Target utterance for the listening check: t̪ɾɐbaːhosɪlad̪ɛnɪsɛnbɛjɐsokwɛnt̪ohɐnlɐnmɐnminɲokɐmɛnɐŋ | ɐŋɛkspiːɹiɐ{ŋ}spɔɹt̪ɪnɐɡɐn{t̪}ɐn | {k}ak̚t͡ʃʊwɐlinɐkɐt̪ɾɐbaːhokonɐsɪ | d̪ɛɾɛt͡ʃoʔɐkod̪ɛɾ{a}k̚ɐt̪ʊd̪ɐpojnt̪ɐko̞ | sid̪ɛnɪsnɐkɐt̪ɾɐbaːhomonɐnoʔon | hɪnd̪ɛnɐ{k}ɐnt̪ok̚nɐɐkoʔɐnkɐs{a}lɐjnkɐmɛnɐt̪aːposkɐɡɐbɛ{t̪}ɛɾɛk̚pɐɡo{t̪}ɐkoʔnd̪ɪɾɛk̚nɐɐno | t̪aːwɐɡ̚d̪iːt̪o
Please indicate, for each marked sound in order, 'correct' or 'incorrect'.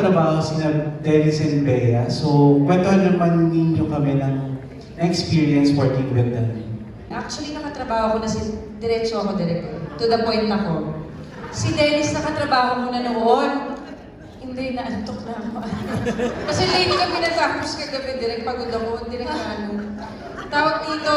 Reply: incorrect: n, incorrect: d̪, incorrect: ʔ, incorrect: ɛ, incorrect: ʔ, incorrect: ɛ, incorrect: d̪, incorrect: d̪

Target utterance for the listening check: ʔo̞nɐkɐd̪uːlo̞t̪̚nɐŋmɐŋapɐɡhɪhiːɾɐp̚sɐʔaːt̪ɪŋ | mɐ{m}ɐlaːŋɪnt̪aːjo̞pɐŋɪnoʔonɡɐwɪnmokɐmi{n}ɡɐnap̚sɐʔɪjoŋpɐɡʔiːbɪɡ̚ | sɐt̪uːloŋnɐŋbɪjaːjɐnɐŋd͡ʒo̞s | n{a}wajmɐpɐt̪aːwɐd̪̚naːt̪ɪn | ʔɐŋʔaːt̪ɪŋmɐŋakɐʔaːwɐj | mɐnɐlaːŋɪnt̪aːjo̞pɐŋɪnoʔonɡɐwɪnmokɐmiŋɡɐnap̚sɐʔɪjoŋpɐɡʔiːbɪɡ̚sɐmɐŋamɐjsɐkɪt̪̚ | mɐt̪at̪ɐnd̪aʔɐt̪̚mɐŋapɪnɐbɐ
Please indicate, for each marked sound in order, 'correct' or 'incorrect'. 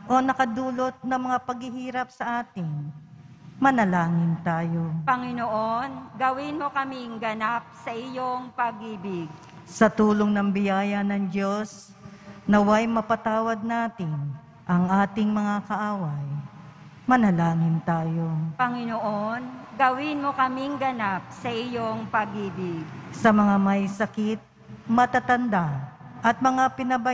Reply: incorrect: n, incorrect: ŋ, incorrect: ɐ

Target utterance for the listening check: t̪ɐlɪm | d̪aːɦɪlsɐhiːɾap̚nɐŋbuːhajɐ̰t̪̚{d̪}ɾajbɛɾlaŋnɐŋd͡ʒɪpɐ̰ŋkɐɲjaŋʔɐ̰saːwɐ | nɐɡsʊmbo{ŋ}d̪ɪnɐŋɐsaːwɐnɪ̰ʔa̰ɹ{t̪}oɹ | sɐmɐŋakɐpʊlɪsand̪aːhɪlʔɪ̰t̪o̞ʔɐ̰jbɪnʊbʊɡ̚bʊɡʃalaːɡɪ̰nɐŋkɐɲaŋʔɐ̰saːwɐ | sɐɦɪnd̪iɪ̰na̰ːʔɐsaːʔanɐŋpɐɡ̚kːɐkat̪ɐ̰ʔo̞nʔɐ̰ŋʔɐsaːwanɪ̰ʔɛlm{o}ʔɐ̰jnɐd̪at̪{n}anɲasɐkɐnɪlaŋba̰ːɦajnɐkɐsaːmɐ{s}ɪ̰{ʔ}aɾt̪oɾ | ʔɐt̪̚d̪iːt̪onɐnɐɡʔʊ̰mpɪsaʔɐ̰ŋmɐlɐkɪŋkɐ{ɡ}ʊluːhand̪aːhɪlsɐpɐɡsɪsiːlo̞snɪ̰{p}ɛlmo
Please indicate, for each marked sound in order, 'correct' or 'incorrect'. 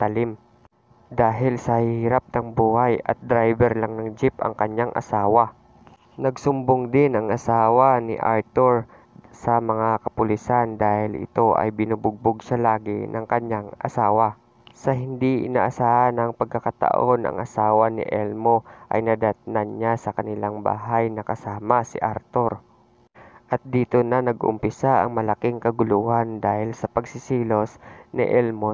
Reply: correct, correct, correct, correct, correct, correct, correct, correct, incorrect: ʔ

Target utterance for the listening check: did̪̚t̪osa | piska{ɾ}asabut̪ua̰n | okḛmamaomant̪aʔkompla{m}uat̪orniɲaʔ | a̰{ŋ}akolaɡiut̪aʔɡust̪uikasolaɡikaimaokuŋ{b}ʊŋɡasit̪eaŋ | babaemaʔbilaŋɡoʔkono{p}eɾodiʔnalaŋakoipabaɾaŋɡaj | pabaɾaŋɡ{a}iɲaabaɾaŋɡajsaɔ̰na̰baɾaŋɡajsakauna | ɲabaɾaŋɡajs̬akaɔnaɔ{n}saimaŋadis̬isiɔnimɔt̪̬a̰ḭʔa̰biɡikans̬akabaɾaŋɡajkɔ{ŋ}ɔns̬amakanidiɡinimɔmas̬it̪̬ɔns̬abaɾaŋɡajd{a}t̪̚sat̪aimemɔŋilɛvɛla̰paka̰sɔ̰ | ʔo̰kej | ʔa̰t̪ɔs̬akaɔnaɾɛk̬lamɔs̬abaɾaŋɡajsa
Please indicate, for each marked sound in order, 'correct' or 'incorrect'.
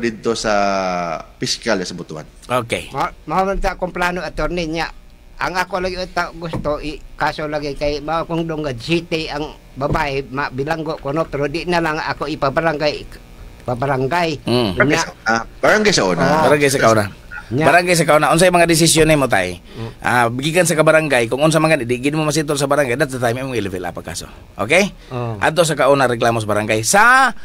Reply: incorrect: l, incorrect: n, correct, incorrect: d, correct, correct, correct, correct, correct

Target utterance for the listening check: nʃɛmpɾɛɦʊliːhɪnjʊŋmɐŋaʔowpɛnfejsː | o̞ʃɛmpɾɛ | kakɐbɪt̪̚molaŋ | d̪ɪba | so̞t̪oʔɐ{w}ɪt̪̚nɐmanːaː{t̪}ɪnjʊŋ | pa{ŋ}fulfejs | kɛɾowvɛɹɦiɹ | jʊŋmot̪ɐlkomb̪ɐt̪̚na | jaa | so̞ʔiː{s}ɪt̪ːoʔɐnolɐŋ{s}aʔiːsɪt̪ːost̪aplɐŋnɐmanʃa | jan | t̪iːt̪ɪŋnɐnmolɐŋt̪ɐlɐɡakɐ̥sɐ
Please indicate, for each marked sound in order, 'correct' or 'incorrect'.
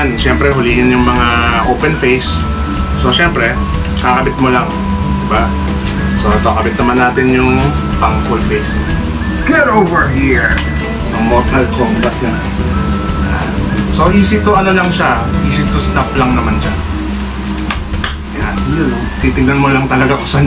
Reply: incorrect: b, correct, correct, correct, incorrect: ʃ

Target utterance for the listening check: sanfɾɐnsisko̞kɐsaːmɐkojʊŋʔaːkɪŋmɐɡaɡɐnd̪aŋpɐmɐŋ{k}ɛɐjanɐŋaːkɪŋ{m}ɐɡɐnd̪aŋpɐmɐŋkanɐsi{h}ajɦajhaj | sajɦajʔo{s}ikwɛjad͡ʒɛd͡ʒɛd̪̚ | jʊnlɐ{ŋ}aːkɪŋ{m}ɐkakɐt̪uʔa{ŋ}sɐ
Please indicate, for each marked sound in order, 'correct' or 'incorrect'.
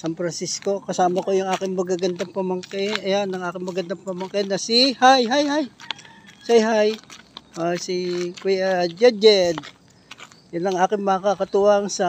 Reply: correct, correct, correct, correct, correct, correct, correct

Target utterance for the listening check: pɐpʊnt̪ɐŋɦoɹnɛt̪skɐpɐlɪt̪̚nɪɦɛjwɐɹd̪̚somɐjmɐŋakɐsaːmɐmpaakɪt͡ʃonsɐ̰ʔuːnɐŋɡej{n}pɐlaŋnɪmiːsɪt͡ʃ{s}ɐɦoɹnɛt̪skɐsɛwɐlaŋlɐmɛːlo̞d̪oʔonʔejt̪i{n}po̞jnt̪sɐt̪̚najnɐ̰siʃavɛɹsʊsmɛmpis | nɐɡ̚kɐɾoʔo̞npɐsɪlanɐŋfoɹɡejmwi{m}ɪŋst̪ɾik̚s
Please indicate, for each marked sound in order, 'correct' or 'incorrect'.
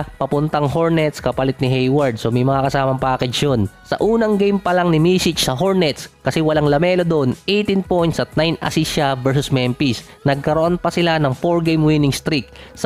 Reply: incorrect: m, correct, correct, incorrect: n

